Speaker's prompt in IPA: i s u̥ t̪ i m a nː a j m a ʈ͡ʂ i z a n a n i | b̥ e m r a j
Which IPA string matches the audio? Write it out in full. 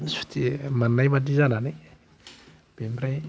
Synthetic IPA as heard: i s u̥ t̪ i m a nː a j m a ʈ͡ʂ i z a n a n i | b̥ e m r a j

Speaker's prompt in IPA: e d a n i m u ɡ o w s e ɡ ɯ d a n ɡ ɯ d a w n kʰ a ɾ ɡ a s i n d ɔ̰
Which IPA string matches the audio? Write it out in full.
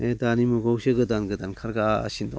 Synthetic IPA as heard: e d a n i m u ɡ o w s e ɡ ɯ d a n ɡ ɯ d a n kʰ a ɾ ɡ a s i n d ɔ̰

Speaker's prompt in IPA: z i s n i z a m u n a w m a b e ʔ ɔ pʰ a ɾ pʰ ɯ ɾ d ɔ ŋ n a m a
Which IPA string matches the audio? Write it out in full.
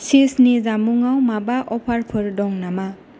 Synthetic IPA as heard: s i s n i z a m u ŋ a w m a b a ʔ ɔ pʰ a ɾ pʰ ɯ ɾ d ɔ ŋ n a m a

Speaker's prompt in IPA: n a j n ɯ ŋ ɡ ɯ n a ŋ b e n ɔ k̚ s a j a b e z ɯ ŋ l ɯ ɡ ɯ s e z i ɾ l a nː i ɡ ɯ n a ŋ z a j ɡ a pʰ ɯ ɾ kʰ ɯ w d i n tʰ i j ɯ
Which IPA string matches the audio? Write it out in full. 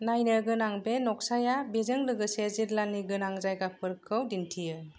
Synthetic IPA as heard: n a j n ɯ ɡ ɯ n a ŋ b e n ɔ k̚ s a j a b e z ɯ ŋ l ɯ ɡ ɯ s e z i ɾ l a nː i ɡ ɯ n a ŋ z a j ɡ a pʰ ɯ ɾ kʰ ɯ w d i n tʰ i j ɯ

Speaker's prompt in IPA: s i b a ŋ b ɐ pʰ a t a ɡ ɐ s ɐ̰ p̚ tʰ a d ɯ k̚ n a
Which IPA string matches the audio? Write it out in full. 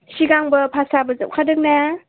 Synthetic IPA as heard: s i ɡ a ŋ b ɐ pʰ a s a b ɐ z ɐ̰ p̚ kʰ a d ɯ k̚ n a

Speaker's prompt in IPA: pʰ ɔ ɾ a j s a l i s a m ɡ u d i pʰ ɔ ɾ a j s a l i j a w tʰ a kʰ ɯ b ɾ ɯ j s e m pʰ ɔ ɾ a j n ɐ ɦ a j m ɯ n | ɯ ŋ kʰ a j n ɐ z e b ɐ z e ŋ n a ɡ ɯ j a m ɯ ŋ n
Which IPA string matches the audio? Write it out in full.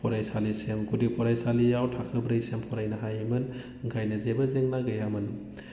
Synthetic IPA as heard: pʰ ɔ ɾ a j s a l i s e m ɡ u d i pʰ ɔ ɾ a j s a l i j a w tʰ a kʰ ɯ b ɾ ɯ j s e m pʰ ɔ ɾ a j n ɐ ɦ a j m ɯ n | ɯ ŋ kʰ a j n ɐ z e b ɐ z e ŋ n a ɡ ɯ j a m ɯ n

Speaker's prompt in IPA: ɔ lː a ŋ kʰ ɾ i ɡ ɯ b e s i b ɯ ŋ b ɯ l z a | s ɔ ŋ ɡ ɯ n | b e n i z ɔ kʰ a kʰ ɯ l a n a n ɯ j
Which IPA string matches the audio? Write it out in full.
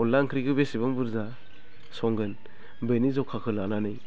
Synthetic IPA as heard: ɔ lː a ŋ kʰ ɾ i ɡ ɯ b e s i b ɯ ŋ b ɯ ɾ z a | s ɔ ŋ ɡ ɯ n | b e n i z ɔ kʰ a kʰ ɯ l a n a n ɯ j

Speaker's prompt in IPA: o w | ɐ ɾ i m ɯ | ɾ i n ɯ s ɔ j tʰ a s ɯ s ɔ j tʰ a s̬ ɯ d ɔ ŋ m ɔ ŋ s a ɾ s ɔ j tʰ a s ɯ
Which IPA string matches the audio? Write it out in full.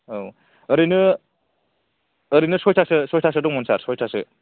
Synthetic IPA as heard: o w | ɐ ɾ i n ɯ | ɾ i n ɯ s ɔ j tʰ a s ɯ s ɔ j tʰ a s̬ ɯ d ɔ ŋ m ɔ n s a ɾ s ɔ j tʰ a s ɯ

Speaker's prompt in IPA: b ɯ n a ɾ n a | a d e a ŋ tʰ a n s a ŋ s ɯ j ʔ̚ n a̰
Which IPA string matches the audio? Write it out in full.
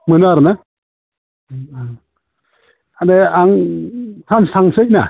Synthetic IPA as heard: m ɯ n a ɾ n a | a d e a ŋ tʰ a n s a ŋ s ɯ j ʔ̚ n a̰

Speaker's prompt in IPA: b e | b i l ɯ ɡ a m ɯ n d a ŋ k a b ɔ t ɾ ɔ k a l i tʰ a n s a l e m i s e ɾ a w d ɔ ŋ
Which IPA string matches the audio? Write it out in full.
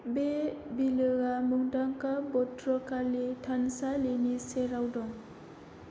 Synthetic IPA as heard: b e | b i l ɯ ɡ a m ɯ ŋ d a ŋ k a b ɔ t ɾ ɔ k a l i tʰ a n s a l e n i s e ɾ a w d ɔ ŋ

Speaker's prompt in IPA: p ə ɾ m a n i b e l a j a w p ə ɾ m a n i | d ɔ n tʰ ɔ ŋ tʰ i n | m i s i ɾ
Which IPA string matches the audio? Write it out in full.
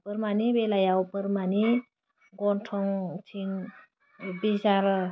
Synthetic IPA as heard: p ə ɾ m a n i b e l a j a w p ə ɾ m a n i | ɡ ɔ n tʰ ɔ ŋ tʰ i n | b i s a ɾ

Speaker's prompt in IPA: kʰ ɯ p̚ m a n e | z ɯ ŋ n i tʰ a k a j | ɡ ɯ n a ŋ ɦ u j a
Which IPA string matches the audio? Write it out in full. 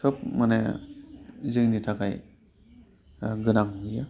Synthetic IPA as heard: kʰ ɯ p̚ m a n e | z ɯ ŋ n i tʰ a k a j | ɡ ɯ n a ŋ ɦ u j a

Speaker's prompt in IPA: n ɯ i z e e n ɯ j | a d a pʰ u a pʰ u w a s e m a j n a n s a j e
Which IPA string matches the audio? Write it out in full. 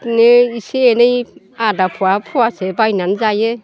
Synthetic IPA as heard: n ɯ i s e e n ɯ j | a d a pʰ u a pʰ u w a s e b a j n a n z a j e

